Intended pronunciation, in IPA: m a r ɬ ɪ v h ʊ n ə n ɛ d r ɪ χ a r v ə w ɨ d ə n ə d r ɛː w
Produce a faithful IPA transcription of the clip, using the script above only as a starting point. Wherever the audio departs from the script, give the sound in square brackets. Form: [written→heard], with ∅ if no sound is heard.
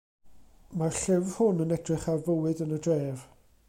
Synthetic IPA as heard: m a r ɬ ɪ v h ʊ n ə n ɛ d r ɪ χ a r v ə w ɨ d ə n ə d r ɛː [w→v]